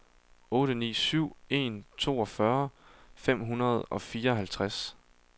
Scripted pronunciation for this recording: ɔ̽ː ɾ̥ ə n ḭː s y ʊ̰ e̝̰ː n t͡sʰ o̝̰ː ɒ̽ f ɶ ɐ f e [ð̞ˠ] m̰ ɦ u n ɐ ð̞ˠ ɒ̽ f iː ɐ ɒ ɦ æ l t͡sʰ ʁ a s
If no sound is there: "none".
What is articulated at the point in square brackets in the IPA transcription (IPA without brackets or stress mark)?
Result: none